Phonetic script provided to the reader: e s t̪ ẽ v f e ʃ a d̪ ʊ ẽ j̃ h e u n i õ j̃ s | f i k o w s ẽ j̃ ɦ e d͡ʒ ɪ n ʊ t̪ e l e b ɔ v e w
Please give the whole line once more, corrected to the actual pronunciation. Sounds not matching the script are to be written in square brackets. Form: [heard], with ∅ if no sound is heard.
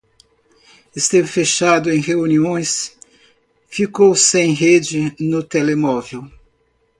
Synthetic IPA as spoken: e s t̪ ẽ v f e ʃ a d̪ ʊ ẽ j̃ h e u n i õ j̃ s | f i k o w s ẽ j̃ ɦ e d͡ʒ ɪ n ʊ t̪ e l e [m] ɔ v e w